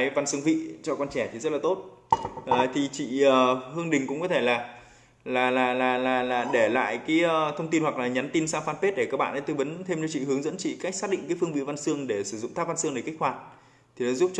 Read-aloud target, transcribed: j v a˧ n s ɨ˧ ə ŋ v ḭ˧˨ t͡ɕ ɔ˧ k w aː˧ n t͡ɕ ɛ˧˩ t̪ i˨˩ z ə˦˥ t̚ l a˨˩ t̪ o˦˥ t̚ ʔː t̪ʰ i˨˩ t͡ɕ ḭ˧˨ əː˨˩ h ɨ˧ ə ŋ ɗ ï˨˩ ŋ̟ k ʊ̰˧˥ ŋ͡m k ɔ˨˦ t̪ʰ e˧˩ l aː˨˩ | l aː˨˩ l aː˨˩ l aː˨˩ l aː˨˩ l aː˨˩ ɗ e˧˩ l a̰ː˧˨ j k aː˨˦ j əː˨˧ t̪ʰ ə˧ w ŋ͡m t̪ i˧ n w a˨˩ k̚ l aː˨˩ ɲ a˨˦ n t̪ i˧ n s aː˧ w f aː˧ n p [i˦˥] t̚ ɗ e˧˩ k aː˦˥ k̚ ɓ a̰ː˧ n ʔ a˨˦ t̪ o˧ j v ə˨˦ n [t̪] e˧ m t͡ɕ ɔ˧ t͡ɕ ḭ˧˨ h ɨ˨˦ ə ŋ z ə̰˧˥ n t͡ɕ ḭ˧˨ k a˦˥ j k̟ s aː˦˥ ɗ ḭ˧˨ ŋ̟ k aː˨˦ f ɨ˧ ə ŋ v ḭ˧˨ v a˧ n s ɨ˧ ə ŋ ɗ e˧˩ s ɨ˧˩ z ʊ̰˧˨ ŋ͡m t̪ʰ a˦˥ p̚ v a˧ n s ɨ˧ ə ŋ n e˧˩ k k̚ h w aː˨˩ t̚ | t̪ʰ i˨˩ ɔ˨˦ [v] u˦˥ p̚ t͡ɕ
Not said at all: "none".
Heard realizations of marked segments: e˦˥, t̪ʰ, z

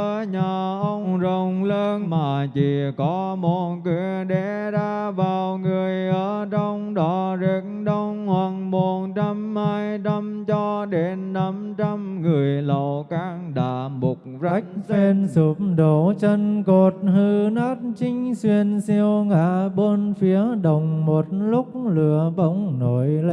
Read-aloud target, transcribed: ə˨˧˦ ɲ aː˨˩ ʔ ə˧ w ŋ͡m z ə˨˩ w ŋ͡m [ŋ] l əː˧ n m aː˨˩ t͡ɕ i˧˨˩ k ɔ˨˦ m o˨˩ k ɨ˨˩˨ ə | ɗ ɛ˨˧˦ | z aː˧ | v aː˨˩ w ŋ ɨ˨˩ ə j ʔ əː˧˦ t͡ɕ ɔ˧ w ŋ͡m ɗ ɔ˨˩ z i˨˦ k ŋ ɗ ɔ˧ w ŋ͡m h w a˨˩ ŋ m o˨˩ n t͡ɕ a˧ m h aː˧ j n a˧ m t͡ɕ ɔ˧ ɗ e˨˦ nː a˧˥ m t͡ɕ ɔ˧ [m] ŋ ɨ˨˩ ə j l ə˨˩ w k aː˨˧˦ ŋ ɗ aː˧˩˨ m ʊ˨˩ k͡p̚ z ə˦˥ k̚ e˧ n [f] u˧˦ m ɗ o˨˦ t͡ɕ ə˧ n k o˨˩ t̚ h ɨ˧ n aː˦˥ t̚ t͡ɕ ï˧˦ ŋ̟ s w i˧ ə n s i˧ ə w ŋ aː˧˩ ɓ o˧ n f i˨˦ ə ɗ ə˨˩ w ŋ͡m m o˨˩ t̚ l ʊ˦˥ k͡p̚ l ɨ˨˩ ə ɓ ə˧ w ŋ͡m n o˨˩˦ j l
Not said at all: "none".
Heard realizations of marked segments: ŋ͡m, m, s

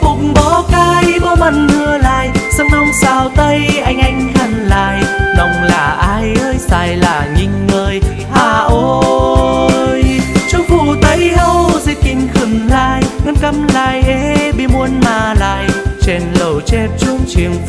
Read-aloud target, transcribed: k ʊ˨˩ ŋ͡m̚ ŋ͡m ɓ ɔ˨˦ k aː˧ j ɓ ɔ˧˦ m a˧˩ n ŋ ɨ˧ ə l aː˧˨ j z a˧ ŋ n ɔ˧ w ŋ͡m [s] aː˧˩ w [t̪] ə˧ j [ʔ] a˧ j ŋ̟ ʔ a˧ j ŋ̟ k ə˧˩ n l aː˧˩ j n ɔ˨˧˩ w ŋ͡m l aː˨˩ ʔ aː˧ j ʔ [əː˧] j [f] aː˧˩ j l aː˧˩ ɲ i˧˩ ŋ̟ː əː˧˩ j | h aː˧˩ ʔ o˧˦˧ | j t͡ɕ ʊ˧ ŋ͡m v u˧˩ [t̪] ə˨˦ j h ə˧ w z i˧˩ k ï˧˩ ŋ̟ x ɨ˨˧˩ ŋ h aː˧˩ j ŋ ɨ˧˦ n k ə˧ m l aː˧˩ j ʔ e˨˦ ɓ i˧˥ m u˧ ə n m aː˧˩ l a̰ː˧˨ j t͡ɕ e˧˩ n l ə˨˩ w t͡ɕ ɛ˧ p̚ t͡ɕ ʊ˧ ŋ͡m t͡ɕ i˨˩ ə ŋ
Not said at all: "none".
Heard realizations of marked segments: s, t̪, ʔ, əː˧, s, t̪

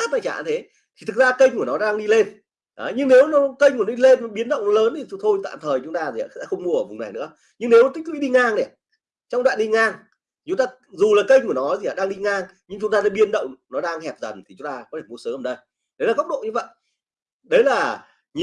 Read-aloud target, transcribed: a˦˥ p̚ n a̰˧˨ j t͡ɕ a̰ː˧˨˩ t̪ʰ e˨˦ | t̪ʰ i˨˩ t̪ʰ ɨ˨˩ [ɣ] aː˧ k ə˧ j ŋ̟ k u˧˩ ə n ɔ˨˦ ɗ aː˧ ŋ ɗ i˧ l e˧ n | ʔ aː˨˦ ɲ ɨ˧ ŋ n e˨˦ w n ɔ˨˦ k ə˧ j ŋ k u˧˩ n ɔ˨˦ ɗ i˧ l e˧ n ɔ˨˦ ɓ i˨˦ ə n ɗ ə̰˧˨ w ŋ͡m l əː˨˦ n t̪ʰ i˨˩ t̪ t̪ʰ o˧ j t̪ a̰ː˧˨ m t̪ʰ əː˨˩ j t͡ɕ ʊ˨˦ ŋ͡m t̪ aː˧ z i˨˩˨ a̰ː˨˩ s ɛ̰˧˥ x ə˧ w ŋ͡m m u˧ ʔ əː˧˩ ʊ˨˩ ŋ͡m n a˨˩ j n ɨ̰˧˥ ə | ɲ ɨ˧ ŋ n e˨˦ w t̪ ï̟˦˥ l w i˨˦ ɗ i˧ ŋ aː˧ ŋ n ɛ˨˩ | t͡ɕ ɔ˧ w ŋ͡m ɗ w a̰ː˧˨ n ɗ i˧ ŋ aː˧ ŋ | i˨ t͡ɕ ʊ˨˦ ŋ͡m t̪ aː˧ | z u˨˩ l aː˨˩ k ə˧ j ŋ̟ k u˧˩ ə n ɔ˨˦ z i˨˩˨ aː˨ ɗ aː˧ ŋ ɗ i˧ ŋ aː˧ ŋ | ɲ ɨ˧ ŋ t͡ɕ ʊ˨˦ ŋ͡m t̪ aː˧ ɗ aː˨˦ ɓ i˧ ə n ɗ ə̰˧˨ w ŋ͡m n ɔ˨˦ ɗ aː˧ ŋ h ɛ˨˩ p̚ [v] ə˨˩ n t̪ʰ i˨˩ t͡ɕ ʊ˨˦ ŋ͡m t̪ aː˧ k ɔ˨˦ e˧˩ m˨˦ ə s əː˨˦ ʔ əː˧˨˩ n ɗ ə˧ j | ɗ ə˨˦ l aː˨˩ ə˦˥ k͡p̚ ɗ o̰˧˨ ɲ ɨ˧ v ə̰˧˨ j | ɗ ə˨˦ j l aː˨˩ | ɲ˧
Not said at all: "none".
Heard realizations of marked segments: z, z

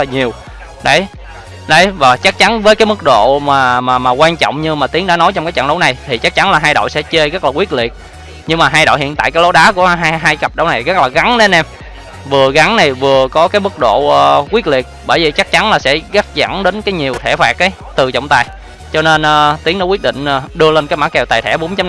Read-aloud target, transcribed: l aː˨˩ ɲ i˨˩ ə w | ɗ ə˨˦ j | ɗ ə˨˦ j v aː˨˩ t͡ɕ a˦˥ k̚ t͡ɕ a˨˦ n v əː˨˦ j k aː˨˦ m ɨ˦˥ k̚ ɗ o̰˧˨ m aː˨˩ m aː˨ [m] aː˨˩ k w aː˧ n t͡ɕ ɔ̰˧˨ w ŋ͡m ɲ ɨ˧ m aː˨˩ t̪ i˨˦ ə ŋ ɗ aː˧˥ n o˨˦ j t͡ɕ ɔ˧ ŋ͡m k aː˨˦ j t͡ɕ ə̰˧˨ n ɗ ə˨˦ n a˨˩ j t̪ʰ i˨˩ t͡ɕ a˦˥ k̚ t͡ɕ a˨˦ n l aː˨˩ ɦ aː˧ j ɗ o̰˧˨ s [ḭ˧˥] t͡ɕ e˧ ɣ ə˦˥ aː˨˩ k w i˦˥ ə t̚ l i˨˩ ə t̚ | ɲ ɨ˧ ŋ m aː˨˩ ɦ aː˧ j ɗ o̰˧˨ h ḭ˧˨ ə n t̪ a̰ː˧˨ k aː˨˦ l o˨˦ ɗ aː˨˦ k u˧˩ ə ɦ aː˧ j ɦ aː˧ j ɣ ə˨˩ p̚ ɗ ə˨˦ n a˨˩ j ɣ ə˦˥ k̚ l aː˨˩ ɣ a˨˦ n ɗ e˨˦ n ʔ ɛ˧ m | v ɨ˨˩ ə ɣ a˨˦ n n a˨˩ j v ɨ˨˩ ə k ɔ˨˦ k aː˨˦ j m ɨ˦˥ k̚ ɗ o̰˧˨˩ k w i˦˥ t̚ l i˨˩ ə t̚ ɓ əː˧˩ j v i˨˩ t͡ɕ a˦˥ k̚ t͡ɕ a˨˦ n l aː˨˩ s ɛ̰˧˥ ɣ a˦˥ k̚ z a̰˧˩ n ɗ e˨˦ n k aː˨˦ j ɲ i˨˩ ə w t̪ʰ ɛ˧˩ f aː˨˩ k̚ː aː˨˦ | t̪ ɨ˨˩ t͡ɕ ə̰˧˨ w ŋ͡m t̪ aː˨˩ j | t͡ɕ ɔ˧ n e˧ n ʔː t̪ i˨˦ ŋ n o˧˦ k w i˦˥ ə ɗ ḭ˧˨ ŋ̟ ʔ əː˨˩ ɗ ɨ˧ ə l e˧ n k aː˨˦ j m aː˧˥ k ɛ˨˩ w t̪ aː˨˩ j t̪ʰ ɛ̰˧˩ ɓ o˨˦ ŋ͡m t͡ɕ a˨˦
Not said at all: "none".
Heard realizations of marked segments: m, ɛ̰˧˥

